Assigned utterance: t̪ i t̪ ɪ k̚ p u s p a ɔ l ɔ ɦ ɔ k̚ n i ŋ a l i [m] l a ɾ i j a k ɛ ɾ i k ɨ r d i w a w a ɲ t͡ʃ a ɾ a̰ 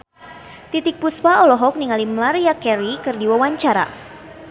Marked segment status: correct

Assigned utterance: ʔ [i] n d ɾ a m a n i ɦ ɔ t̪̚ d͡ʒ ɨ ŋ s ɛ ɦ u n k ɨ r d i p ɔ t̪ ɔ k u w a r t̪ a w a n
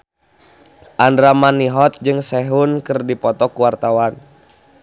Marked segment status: incorrect: a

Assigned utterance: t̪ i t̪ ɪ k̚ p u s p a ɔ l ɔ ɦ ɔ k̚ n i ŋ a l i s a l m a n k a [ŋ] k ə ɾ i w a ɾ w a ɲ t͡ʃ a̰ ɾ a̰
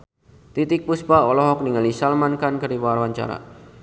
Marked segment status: incorrect: n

